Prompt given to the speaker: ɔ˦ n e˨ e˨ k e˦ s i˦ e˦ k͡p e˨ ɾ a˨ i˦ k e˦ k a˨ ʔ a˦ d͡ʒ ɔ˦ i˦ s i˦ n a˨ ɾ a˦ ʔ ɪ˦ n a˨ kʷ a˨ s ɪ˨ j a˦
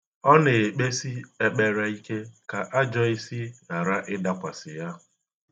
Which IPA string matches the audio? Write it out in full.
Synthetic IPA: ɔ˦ n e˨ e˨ k͡p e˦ s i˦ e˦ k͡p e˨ ɾ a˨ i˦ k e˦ k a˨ ʔ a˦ d͡ʒ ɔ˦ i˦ s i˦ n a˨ ɾ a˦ ʔ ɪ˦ d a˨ kʷ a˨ s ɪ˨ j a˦